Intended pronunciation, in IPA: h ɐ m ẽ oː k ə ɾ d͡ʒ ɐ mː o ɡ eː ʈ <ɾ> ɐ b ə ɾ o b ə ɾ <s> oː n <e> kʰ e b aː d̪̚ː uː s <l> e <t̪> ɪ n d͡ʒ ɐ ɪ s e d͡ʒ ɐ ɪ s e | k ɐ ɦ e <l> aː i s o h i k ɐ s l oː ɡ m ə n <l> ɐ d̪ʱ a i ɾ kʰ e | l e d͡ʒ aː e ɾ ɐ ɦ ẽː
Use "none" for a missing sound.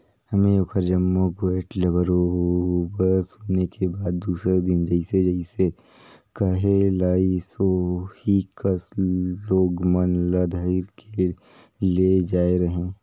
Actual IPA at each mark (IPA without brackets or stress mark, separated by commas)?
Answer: l, s, e, ɾ, d̪, l, l